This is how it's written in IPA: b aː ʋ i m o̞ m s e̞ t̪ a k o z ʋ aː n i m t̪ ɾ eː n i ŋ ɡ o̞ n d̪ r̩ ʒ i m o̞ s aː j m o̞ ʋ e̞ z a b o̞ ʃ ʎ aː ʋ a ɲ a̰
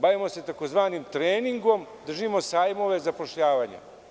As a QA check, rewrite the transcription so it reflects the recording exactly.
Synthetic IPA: b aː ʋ i m o̞ s e̞ t̪ a k o z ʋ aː n i m t̪ ɾ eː n i ŋ ɡ o̞ m d̪ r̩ ʒ i m o̞ s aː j m o̞ ʋ e̞ z a p o̞ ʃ ʎ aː ʋ a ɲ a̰